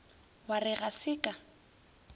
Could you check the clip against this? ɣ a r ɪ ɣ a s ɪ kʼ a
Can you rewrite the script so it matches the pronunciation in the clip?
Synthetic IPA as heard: w a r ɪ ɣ a s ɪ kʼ a